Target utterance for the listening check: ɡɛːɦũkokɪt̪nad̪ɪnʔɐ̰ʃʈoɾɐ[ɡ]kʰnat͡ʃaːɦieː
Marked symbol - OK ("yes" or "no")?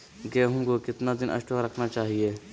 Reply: no